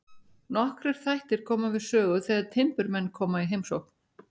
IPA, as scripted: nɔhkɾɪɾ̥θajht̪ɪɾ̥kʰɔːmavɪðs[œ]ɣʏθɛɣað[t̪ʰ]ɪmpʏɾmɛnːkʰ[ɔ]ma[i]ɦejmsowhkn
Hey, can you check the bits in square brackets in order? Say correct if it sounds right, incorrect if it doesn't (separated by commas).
incorrect, correct, incorrect, correct